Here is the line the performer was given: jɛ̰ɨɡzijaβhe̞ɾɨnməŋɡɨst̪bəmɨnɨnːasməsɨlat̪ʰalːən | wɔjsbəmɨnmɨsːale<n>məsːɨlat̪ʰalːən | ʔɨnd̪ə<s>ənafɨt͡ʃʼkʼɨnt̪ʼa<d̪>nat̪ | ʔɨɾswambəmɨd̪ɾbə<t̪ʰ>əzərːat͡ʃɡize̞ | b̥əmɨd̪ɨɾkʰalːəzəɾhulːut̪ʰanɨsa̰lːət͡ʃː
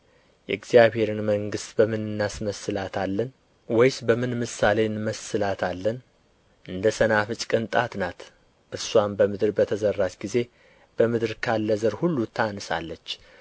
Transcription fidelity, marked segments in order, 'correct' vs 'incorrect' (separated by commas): correct, correct, incorrect, correct